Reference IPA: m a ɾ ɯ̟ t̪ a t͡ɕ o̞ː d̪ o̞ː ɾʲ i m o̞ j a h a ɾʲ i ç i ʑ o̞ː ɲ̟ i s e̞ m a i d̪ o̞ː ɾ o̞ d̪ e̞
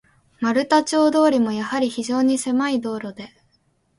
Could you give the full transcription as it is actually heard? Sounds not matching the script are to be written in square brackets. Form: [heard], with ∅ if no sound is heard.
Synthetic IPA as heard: m a ɾ ɯ̟ t̪ a t͡ɕ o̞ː d̪ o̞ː ɾʲ i m o̞ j a h a ɾʲ i ç i ʑ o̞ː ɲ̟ i s e̞ m a i d̪ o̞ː ɾ o̞ d̪ e̞